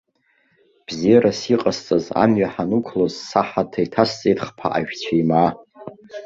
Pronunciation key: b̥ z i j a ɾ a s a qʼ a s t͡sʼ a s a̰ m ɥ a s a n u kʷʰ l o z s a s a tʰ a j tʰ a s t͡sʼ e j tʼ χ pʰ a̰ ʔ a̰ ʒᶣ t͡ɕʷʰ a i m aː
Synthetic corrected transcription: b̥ z i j a ɾ a s i qʼ a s t͡sʼ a z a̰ m ɥ a ħ a n u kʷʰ l o z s a ħ a tʰ a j tʰ a s t͡sʼ e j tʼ χ pʰ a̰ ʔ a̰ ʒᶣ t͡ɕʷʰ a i m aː